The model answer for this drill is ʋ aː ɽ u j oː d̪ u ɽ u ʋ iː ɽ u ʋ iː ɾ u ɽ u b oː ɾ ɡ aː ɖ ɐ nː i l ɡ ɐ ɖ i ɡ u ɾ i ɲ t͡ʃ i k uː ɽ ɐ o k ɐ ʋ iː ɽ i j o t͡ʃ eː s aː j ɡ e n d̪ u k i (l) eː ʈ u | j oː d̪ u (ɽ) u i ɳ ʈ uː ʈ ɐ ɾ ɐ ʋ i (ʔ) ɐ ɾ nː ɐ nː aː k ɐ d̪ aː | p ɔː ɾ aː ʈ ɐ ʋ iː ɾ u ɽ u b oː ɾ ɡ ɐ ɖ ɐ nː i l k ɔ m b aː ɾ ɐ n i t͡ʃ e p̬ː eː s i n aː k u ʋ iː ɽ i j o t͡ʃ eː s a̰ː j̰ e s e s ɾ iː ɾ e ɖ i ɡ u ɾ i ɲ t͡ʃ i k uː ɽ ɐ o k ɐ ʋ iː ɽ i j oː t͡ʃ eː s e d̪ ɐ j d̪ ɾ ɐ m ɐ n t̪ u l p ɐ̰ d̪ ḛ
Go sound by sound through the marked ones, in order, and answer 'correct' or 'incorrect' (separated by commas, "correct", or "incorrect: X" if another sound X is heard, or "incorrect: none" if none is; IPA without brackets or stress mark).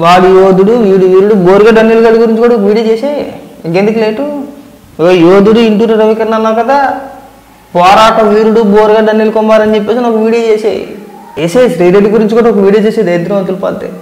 correct, correct, incorrect: k